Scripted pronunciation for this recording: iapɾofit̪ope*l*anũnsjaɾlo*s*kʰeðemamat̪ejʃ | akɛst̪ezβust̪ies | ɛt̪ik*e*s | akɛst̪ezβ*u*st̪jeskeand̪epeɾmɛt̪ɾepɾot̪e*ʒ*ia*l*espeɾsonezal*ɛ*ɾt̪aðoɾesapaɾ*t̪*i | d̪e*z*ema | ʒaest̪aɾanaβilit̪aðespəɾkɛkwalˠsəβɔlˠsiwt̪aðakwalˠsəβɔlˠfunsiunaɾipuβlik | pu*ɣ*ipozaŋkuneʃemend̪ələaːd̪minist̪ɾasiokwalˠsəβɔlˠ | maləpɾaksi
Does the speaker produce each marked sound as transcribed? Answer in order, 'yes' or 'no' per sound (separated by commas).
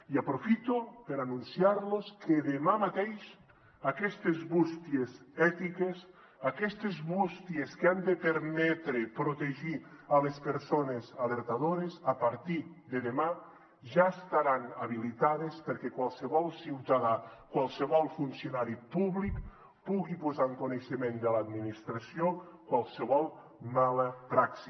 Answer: no, yes, yes, yes, yes, yes, no, yes, no, yes